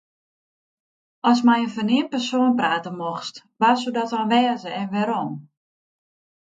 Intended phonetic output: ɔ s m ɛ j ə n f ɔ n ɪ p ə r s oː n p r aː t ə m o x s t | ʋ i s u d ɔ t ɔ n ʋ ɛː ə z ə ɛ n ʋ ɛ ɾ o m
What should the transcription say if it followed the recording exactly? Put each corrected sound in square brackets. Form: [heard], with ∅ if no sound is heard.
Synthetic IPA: ɔ s m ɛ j ə n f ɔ n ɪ p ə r s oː n p r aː t ə m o x s t | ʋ [a] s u d ɔ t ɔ n ʋ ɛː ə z ə ɛ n ʋ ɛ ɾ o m